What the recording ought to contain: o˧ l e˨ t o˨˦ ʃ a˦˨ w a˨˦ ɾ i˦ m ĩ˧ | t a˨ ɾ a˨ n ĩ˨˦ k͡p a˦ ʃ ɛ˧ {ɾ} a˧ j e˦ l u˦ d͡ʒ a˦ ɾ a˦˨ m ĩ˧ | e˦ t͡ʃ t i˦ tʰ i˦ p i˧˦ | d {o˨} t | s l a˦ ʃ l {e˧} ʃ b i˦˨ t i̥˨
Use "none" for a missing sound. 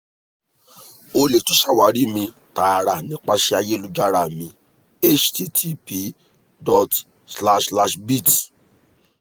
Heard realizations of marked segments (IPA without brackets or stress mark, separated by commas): none, ɔ˨, a˧